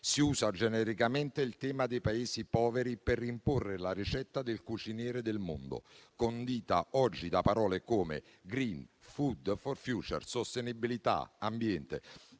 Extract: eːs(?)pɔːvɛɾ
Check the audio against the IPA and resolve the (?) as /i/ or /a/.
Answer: i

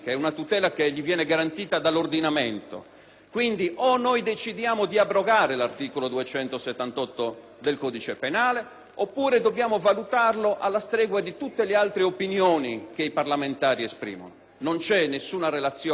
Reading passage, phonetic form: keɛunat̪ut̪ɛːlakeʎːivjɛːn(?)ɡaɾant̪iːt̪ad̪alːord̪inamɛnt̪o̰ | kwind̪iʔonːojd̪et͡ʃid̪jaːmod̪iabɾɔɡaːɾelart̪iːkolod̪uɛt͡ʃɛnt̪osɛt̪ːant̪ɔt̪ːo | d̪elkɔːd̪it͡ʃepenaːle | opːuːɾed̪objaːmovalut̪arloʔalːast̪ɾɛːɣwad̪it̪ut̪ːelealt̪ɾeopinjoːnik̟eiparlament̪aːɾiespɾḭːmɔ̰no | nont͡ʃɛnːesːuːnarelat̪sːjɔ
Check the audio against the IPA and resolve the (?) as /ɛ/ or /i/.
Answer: ɛ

